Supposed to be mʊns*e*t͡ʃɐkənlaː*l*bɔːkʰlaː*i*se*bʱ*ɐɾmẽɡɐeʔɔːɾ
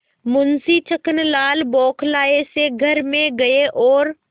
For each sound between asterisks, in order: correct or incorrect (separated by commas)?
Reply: incorrect, correct, incorrect, incorrect